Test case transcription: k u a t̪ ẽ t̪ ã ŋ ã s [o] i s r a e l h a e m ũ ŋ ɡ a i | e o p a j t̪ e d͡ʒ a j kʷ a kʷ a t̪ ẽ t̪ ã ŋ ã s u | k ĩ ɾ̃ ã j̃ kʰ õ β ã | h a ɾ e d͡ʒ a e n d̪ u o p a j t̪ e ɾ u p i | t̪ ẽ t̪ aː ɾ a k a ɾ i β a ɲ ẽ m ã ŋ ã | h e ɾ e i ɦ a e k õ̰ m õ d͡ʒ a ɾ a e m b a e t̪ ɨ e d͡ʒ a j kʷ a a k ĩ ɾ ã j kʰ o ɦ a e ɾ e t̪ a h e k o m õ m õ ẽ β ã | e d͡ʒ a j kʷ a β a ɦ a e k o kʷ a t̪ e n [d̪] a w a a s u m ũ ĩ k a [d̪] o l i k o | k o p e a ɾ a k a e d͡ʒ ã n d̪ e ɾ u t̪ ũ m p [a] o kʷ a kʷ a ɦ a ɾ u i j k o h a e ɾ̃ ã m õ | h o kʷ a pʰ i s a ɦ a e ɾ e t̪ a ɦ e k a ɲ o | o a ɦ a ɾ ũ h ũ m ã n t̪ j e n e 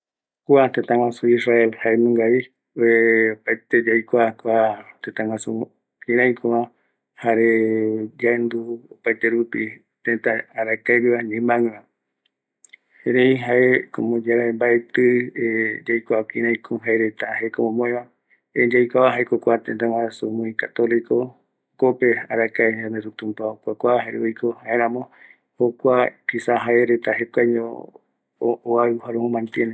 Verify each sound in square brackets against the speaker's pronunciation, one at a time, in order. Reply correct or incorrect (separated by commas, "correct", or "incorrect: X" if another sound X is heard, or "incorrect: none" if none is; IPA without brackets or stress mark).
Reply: incorrect: u, incorrect: t̪, incorrect: t̪, correct